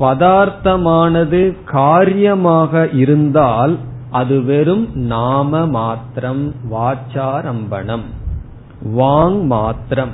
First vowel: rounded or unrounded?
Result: unrounded